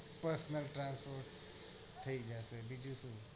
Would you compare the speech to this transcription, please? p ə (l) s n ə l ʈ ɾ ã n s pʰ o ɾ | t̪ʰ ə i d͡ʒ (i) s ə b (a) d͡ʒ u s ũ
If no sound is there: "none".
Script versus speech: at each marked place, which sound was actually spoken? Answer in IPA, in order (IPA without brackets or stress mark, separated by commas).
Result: ɾ, a, i